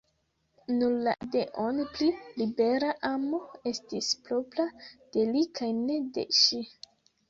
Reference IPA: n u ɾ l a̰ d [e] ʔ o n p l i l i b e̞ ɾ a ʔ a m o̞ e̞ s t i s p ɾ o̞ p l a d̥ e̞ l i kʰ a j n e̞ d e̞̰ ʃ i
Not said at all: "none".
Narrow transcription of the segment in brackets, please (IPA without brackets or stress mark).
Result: e